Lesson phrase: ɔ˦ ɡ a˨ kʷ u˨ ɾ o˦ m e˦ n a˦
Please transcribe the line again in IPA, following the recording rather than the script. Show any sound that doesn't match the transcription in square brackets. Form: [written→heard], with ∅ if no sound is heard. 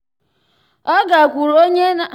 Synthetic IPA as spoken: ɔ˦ ɡ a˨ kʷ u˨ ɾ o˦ [m→ɲ] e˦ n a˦